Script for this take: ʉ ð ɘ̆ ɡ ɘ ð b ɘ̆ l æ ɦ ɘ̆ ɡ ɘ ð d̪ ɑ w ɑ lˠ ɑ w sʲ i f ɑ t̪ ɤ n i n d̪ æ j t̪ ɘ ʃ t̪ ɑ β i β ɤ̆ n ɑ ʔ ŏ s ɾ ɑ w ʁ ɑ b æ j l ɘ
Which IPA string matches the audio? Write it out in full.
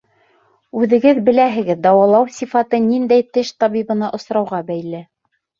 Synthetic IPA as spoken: ʉ ð ɘ̆ ɡ ɘ ð b ɘ̆ l æ ɦ ɘ̆ ɡ ɘ ð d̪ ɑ w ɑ lˠ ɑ w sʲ i f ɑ t̪ ɤ n i n d̪ æ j t̪ ɘ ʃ t̪ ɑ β i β ɤ̆ n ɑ ʔ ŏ s ɾ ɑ w ʁ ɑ b æ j l ɘ